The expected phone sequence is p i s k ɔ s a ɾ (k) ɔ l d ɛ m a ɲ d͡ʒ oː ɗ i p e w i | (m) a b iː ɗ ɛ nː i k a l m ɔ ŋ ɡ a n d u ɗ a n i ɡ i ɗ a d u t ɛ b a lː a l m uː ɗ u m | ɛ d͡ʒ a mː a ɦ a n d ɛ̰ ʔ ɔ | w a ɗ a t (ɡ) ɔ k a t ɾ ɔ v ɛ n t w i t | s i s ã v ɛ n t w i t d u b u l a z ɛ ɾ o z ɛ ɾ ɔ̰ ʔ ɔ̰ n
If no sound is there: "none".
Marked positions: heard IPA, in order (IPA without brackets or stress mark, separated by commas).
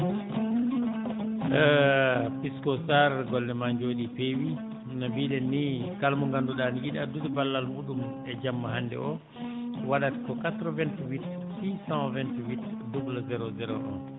ɡ, n, k